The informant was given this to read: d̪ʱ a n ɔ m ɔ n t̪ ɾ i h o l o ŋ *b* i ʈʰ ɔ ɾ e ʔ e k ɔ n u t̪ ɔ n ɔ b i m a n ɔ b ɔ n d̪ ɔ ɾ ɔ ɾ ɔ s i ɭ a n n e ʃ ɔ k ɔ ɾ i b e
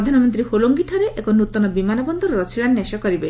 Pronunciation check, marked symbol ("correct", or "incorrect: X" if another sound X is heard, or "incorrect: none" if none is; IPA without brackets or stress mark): incorrect: ɡ